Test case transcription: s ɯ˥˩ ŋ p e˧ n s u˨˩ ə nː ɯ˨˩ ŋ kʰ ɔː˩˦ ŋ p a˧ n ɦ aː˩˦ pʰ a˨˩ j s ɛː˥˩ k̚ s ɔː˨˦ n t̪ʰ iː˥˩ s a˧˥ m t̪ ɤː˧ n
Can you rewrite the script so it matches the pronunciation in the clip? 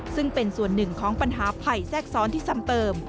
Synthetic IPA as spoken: s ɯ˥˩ ŋ p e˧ n s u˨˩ ə nː ɯ˨˩ ŋ kʰ ɔː˩˦ ŋ p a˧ n ɦ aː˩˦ pʰ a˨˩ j s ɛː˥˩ k̚ s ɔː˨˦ n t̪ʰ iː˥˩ s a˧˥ m t̪ ɤː˧ m